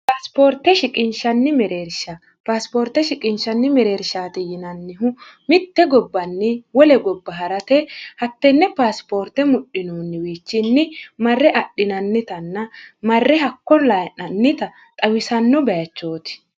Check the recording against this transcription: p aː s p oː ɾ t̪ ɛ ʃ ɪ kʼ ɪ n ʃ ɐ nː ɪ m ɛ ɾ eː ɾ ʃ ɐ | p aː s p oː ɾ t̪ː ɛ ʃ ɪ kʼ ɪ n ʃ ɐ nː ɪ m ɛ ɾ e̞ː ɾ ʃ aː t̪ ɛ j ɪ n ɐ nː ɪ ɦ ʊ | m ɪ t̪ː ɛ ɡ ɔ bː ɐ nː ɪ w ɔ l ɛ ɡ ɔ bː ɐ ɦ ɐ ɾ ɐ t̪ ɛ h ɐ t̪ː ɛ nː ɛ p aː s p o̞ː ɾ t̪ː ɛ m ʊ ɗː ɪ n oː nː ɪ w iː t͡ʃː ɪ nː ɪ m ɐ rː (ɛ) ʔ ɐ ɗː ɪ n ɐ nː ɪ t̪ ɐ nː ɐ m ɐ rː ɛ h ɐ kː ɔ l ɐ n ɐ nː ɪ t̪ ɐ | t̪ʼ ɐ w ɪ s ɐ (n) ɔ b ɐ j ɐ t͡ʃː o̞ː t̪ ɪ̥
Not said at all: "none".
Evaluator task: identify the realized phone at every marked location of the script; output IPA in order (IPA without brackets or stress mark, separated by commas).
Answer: ɛ, nː